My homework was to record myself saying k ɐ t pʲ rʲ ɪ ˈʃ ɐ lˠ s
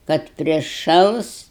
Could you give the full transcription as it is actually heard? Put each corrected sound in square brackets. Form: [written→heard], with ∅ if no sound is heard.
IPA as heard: k ɐ t pʲ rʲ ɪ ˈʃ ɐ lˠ s